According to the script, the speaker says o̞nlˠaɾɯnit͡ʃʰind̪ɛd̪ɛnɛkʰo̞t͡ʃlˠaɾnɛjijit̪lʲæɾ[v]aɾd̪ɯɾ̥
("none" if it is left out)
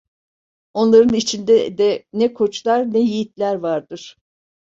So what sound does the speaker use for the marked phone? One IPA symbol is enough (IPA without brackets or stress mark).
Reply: v